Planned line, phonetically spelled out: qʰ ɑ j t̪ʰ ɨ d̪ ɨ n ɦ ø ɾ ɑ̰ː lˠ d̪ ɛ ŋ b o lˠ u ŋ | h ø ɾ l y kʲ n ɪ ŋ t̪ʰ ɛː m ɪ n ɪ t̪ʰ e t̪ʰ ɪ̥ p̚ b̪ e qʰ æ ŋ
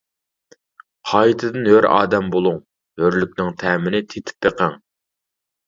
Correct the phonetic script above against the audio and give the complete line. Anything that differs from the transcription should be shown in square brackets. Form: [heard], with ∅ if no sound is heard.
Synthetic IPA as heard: qʰ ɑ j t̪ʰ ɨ d̪ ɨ n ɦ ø ɾ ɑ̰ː [∅] d̪ ɛ [m] b o lˠ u ŋ | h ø ɾ l y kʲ n ɪ ŋ t̪ʰ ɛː m ɪ n ɪ t̪ʰ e t̪ʰ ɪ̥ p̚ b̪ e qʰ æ ŋ